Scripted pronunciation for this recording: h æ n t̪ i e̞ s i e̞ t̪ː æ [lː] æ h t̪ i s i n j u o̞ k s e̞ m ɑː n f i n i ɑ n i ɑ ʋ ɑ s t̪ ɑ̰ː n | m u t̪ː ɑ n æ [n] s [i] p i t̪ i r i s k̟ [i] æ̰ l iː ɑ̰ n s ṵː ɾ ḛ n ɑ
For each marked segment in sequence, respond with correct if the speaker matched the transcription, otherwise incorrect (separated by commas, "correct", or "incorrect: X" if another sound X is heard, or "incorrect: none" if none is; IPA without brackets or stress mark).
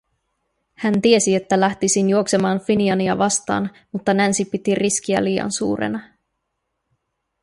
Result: incorrect: l, correct, correct, correct